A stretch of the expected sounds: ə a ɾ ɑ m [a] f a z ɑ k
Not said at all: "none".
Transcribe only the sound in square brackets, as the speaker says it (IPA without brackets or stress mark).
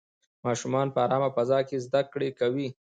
a